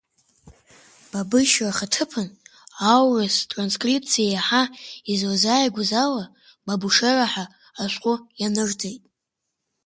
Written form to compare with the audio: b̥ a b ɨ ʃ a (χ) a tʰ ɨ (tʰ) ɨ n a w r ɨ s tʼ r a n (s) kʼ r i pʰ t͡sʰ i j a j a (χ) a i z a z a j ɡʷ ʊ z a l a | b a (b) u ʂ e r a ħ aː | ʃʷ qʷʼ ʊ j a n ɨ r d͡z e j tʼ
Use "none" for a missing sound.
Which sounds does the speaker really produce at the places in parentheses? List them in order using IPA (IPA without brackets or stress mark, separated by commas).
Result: χ, pʰ, s, ħ, b